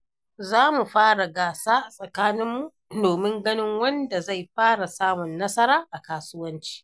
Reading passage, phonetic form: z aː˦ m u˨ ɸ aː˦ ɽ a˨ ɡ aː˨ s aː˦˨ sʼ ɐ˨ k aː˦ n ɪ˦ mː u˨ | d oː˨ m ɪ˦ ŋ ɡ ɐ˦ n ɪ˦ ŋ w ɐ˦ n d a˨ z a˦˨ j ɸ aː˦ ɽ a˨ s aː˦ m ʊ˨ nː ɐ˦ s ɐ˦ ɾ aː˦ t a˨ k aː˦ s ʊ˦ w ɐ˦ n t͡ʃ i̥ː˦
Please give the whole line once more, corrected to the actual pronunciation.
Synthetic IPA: z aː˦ m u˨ ɸ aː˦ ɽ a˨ ɡ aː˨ s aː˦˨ sʼ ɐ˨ k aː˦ n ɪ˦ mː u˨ | d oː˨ m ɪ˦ ŋ ɡ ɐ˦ n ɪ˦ ŋ w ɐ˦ n d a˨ z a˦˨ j ɸ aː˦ ɽ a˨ s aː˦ m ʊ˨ nː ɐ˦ s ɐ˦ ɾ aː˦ ʔ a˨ k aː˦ s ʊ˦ w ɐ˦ n t͡ʃ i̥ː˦